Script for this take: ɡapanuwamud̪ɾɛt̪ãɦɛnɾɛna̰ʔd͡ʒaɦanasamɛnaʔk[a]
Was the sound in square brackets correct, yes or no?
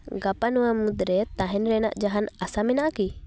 no